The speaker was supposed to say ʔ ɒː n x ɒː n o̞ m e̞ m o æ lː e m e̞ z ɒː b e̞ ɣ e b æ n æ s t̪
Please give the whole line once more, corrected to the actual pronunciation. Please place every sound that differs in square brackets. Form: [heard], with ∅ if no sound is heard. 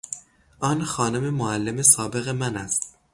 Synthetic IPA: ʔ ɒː n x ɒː n o̞ m e̞ m o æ lː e m e̞ [s] ɒː b e̞ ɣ e [m] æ n æ s t̪